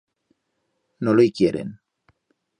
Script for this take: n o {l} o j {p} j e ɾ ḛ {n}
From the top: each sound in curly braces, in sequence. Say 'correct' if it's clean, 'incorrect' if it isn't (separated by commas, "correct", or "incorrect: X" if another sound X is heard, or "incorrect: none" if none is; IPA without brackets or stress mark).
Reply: correct, incorrect: k, correct